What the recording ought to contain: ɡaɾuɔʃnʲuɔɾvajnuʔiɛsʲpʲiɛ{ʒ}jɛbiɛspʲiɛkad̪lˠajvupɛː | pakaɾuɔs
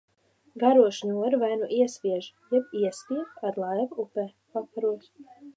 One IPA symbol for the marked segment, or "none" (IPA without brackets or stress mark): ʒ